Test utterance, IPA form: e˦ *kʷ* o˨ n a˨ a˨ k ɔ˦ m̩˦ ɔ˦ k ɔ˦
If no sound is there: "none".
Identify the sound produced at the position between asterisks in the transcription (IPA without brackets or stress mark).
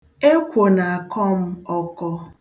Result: kʷ